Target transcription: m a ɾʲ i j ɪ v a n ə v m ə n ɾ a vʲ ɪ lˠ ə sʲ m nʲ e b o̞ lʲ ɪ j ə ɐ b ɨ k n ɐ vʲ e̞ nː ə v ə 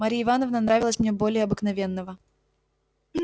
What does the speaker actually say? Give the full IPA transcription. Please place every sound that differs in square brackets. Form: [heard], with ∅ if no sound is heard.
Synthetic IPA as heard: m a ɾʲ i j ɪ v a n ə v [n] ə n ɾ a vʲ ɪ lˠ ə sʲ m nʲ e b o̞ lʲ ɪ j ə ɐ b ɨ k n ɐ vʲ e̞ nː ə v ə